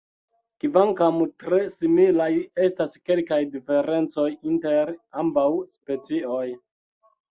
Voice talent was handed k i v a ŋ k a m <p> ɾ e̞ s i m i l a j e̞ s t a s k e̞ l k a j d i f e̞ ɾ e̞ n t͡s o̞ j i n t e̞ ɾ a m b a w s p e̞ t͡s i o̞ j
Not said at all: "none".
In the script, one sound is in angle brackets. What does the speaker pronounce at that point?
t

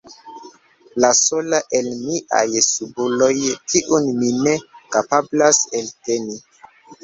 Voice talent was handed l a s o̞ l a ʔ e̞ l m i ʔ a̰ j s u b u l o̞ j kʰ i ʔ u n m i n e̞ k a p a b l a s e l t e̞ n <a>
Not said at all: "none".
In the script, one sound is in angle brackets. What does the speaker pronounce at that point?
i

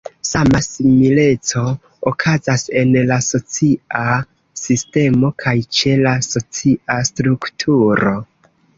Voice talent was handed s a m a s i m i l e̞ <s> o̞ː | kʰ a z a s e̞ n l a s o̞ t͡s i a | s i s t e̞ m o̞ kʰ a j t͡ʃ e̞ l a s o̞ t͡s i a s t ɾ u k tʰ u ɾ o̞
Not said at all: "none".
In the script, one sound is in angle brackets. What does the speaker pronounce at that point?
t͡s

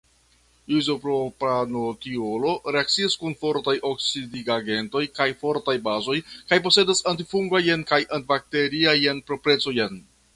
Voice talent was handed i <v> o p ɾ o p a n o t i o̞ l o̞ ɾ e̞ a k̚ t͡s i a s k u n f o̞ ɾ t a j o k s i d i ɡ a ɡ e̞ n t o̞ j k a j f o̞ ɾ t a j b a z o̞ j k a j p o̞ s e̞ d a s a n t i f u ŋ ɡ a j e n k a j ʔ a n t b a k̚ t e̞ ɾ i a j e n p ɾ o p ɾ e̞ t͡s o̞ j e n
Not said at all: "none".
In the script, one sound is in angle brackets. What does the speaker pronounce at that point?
z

